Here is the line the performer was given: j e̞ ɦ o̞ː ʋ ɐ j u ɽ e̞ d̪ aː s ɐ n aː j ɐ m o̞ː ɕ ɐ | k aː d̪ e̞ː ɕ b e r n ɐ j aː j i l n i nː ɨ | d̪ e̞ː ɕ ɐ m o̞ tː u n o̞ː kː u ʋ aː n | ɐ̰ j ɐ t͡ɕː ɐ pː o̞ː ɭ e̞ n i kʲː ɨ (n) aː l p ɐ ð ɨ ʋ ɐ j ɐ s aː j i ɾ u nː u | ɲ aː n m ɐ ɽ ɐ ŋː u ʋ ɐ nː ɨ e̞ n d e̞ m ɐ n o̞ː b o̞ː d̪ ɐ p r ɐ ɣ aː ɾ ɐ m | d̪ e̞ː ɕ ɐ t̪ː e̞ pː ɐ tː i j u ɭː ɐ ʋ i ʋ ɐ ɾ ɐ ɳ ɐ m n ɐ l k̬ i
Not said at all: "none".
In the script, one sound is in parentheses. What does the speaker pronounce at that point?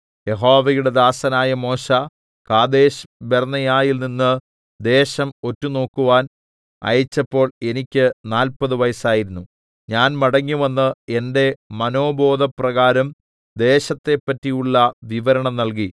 n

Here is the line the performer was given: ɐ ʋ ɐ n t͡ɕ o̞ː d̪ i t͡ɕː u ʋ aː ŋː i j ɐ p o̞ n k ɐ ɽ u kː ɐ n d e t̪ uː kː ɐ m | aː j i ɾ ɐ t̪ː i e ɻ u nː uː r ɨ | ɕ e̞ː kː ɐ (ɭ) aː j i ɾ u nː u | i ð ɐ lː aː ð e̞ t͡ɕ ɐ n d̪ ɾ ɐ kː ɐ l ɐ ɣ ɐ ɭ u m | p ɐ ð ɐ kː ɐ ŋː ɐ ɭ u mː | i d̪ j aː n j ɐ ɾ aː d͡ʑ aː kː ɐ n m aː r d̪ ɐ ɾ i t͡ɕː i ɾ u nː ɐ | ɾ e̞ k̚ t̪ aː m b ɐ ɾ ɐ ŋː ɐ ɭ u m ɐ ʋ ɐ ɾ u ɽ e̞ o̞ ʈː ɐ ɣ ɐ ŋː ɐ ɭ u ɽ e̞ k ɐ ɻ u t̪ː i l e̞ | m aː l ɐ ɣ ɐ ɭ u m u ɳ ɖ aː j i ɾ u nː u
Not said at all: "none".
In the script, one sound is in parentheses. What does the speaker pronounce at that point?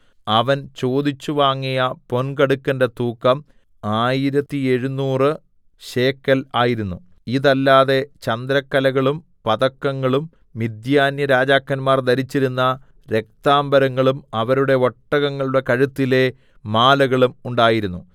l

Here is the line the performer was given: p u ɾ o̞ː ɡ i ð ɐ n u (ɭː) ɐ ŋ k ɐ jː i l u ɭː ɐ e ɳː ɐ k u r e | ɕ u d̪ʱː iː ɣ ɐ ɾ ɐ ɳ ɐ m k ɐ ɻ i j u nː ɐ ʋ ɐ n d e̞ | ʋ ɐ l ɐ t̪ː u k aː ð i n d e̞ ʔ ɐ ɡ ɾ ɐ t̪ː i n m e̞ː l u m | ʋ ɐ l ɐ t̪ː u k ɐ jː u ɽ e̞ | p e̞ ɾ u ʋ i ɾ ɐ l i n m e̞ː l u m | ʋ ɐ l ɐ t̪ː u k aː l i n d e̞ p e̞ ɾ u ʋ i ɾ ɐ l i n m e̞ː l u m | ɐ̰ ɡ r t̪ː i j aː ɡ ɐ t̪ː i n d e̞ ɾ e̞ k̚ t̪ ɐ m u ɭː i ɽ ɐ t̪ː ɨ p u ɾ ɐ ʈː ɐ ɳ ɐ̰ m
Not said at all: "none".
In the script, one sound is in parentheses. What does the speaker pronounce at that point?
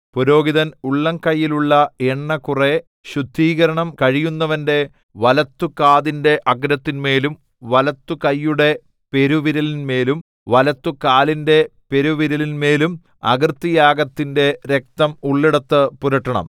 ɭː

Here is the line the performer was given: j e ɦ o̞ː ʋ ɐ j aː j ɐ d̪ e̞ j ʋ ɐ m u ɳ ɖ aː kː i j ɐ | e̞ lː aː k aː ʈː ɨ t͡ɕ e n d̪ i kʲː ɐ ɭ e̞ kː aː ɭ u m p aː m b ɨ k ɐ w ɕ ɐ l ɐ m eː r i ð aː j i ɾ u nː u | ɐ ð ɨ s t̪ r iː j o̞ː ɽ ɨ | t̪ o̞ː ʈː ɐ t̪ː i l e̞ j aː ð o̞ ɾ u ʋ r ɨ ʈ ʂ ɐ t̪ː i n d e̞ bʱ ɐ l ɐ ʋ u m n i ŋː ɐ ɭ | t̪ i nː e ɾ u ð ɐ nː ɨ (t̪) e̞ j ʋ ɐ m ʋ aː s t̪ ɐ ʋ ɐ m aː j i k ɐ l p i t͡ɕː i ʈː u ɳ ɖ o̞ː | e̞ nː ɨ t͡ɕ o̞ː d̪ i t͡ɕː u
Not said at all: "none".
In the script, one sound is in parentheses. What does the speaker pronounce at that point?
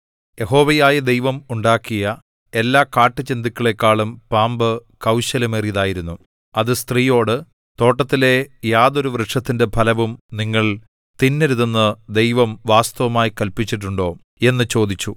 d̪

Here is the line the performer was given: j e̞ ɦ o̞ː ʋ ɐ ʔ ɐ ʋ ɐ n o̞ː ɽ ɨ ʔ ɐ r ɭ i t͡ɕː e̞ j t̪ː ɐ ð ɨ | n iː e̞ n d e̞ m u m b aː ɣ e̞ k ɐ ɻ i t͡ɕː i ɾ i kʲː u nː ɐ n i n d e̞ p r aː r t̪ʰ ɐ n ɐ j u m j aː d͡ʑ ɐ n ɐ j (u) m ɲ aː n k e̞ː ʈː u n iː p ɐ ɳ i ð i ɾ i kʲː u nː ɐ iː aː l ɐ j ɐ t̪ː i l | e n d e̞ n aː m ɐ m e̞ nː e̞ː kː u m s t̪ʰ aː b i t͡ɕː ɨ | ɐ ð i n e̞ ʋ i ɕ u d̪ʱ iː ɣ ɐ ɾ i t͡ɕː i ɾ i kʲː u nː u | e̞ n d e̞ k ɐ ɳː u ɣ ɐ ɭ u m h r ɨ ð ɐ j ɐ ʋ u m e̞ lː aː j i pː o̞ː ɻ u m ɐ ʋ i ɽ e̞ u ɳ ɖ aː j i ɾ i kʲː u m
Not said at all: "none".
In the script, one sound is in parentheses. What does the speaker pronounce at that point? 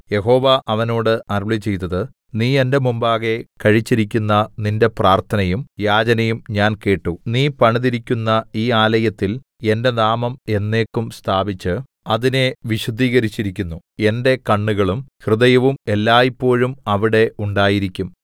u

